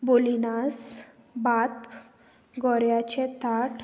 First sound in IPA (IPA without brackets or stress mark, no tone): b